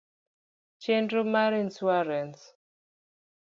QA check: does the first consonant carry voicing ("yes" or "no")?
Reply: no